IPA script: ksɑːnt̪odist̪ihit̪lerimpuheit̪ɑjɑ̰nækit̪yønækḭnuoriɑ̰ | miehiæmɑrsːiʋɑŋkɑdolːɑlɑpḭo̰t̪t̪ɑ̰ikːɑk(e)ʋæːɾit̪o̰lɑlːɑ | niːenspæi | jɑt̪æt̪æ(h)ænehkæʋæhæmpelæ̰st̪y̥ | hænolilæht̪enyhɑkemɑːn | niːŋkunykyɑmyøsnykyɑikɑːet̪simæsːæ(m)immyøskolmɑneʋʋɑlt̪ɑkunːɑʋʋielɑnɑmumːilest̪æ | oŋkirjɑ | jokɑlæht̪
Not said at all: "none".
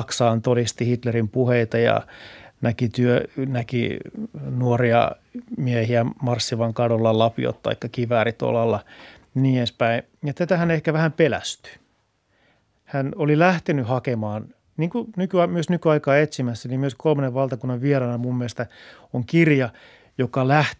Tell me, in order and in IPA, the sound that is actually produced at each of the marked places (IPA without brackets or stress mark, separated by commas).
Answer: i, h, n